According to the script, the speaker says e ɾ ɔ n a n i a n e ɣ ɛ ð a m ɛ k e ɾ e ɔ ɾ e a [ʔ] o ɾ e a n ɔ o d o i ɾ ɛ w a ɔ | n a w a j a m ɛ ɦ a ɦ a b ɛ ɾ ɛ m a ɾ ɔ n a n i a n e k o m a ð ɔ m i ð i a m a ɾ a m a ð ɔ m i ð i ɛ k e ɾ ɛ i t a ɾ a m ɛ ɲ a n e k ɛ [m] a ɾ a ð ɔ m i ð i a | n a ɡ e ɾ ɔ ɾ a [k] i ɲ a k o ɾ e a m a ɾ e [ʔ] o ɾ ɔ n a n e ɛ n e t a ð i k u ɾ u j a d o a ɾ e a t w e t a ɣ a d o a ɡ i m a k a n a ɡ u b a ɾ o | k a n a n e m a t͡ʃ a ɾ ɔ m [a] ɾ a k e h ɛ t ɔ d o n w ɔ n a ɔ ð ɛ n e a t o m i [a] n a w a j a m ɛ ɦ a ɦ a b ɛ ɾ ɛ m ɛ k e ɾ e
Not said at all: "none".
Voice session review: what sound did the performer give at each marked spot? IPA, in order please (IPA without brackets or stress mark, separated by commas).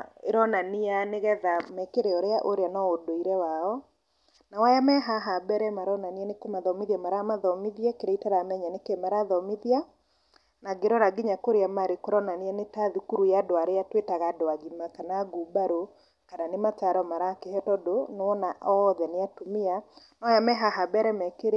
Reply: ʔ, m, ɡ, k, a, a